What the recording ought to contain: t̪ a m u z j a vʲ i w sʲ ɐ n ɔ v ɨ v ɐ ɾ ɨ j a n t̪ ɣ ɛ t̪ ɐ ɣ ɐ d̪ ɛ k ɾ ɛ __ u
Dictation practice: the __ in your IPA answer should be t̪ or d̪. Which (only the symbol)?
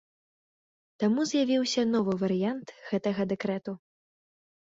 t̪